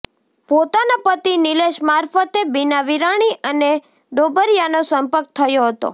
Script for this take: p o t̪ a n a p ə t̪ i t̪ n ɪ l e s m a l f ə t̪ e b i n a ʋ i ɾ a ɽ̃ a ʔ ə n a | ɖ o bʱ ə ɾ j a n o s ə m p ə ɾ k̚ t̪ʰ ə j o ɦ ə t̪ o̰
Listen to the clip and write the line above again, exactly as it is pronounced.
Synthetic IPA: p o t̪ a n a p ə t̪ i n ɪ l e ʃ m a ɾ f ə t̪ e b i n a ʋ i ɾ a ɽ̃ i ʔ ə n e | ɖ o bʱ ə ɾ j a n o s ə m p ə ɾ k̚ t̪ʰ ə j o ɦ ə t̪ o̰

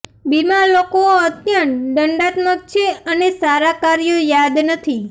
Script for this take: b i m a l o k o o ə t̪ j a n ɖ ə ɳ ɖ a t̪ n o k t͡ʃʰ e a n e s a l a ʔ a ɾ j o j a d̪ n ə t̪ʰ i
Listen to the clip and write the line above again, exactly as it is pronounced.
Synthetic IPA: b i m a l o k o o ə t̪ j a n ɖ ə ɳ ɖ a t̪ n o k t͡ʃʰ e ə n e s a ɾ a k a ɾ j o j a d̪ n ə t̪ʰ i

